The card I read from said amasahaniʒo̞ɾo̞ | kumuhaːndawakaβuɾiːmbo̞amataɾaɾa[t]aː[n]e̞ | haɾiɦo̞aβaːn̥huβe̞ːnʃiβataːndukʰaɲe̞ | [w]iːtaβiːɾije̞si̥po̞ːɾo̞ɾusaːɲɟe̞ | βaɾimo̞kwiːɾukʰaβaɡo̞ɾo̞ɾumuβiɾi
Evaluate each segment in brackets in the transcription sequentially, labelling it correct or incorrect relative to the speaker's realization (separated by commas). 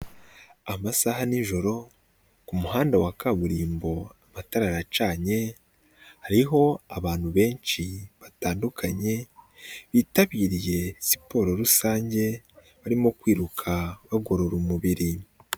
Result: incorrect, incorrect, incorrect